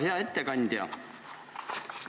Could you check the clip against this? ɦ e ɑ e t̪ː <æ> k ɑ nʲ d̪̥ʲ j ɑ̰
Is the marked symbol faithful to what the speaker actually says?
no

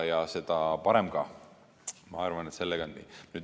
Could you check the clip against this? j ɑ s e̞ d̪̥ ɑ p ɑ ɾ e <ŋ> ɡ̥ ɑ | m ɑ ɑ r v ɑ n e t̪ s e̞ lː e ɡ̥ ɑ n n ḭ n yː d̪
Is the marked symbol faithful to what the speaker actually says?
no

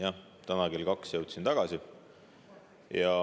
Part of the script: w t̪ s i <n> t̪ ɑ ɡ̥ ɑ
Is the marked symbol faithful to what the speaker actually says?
yes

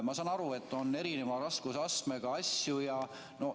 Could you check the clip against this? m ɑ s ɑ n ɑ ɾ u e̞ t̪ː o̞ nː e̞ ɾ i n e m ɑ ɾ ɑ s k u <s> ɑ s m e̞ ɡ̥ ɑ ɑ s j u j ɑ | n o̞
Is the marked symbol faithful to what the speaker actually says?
yes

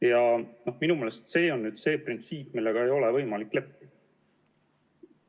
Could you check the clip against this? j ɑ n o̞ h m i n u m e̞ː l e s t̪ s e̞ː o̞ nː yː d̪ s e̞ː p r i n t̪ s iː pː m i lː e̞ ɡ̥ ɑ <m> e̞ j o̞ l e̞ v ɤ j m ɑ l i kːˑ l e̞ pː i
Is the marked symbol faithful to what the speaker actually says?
no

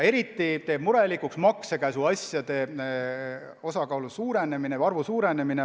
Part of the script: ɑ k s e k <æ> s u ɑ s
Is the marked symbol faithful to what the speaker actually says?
yes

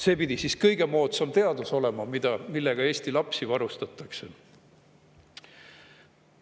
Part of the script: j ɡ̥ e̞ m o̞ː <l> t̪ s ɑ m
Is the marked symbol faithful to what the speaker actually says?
no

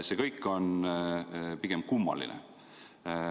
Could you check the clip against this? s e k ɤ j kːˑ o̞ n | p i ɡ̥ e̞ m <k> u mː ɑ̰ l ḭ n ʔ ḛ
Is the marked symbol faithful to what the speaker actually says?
yes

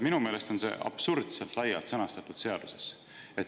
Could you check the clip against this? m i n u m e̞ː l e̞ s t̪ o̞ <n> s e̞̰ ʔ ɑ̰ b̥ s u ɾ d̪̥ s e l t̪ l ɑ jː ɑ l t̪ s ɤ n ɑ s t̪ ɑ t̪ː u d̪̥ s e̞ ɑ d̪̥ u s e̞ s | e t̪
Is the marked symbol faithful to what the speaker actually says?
yes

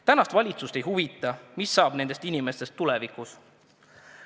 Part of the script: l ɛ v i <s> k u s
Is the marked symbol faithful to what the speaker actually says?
no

